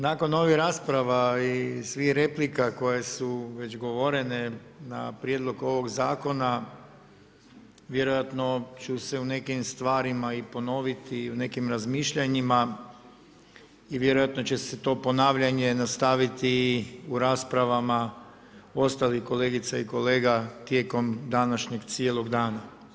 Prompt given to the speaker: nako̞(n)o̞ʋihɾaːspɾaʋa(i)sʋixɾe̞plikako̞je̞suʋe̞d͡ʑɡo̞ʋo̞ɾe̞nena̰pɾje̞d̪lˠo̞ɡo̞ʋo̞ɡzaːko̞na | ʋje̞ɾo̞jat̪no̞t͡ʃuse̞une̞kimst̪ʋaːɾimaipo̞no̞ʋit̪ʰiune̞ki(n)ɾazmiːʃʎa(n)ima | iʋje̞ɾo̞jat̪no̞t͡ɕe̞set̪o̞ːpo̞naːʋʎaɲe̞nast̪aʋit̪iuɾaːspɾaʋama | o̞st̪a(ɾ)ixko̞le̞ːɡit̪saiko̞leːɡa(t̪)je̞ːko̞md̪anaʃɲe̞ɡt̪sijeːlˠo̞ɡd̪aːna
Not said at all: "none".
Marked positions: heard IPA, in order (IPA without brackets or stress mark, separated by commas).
n, i, m, ɲ, l, t̪